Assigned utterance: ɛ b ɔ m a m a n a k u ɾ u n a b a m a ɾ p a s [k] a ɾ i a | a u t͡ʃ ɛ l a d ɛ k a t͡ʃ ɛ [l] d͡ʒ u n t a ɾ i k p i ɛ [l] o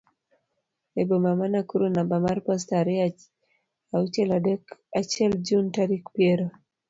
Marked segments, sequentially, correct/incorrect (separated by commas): incorrect, correct, incorrect